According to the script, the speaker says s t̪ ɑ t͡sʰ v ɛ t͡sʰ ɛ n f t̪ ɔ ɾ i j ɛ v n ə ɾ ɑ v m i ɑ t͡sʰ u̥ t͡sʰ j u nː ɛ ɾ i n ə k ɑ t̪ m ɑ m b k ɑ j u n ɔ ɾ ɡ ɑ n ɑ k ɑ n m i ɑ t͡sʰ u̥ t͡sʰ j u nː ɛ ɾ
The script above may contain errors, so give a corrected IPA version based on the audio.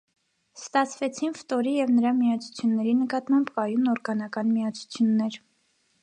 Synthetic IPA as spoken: s t̪ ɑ t͡sʰ v ɛ t͡sʰ i n f t̪ ɔ ɾ i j ɛ v n ə ɾ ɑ m i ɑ t͡sʰ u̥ t͡sʰ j u nː ɛ ɾ i n ə k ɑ t̪ m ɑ m b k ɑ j u n ɔ ɾ ɡ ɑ n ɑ k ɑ n m i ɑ t͡sʰ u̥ t͡sʰ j u nː ɛ ɾ